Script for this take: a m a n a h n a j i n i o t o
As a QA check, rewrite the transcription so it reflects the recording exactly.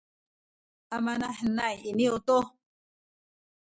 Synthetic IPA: a m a n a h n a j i n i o t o